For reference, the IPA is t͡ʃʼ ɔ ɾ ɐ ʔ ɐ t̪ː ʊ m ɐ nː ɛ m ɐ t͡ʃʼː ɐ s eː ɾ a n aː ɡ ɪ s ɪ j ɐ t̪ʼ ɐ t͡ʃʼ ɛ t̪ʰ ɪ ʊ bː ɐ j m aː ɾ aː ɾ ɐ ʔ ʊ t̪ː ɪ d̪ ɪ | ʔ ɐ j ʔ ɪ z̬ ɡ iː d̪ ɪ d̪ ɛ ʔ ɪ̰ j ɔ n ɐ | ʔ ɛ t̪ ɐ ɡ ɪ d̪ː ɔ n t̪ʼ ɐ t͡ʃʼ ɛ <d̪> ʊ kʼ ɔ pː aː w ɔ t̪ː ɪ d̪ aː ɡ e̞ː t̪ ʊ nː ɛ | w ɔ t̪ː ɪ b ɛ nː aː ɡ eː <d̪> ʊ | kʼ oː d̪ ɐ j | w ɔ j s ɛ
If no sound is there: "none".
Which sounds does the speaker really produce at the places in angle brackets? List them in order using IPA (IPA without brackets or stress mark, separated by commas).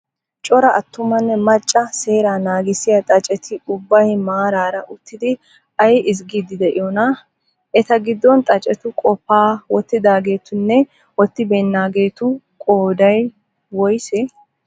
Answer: t̪, t̪